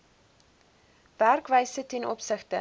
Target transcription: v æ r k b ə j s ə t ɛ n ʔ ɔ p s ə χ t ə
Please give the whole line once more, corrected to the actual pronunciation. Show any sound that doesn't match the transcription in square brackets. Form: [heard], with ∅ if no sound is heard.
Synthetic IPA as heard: v æ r k [v] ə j s ə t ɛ n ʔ ɔ p s ə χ t ə